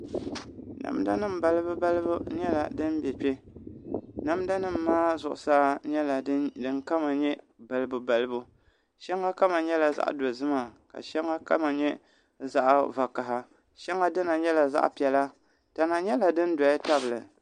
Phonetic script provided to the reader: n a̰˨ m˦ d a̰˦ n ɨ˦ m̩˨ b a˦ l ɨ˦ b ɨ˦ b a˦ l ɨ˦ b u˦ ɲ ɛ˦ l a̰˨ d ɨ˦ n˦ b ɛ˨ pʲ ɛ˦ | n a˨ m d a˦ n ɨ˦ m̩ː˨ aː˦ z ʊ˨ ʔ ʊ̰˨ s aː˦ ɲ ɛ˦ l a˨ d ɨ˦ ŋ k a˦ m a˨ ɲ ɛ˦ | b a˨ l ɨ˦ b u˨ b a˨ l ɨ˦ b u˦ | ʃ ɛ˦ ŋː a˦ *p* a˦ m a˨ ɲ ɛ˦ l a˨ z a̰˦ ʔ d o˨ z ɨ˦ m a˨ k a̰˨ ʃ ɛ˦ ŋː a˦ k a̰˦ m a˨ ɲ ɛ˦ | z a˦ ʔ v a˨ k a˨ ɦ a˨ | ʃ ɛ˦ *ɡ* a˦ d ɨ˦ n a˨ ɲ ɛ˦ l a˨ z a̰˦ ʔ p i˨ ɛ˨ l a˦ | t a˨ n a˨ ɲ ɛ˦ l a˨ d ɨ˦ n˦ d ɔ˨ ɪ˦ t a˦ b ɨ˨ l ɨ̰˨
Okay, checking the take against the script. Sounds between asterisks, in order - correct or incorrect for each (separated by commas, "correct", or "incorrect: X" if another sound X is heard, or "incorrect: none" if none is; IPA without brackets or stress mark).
incorrect: k, incorrect: ŋ